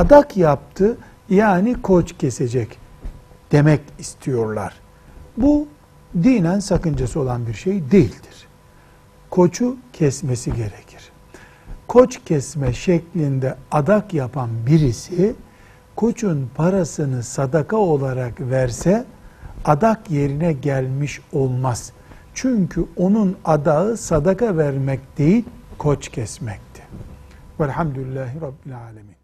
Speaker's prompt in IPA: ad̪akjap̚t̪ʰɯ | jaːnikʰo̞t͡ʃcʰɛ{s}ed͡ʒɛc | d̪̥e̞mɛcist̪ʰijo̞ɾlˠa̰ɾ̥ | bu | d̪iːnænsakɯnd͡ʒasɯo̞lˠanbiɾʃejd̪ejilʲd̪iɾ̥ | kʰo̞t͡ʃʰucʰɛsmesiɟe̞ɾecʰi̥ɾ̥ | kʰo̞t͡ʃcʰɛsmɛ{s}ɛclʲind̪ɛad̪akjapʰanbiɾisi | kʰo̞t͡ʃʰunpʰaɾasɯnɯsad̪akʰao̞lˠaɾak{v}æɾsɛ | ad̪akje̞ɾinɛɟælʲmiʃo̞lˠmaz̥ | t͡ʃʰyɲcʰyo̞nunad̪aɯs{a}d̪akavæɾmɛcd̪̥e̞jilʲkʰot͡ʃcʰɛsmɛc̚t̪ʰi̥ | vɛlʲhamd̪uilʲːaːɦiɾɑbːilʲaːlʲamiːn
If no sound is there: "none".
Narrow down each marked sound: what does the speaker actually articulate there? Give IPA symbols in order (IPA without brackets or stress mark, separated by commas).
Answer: s, ʃ, v, a